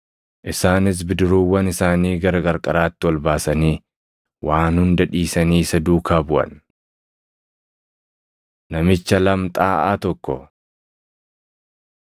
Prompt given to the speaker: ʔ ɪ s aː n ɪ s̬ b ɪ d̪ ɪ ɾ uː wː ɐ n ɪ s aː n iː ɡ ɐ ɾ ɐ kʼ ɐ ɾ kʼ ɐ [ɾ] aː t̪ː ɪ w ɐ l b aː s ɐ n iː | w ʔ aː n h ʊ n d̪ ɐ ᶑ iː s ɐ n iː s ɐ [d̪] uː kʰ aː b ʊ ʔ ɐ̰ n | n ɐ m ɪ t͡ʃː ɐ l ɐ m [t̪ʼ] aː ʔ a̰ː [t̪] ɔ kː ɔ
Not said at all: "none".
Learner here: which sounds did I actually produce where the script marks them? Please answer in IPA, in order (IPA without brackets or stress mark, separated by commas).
ɾ, d̪, t̪ʼ, t̪